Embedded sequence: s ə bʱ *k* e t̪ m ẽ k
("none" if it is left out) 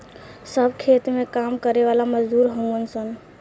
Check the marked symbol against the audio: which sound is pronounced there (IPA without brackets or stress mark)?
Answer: kʰ